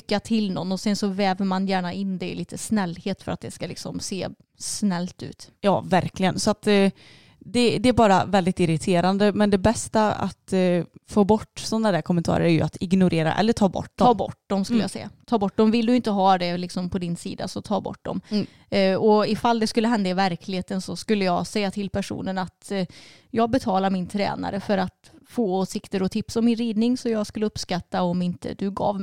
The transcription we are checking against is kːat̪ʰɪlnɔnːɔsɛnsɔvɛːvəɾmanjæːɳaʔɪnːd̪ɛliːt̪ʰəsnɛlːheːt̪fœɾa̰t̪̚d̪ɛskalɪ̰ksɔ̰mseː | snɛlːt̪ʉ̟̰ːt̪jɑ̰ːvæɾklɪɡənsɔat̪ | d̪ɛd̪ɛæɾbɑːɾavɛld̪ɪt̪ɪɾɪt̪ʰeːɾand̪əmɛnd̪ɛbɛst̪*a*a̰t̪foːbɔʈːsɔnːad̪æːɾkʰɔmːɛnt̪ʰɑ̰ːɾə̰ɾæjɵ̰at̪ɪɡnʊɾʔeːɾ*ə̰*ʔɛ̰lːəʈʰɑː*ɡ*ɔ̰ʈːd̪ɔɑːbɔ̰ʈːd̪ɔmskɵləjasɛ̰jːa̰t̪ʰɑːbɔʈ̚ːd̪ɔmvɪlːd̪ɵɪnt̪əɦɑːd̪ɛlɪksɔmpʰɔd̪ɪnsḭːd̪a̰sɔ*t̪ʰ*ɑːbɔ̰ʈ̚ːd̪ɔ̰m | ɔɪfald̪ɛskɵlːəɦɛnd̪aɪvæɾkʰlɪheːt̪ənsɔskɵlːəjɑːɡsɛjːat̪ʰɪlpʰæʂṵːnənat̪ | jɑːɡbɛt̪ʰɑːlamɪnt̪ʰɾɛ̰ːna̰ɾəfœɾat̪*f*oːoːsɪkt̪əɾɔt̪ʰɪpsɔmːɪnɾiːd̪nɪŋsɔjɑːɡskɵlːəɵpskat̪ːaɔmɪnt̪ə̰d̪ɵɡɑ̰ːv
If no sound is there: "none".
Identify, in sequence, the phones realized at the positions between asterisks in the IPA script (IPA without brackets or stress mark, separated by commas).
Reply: a, a̰, b, t̪ʰ, f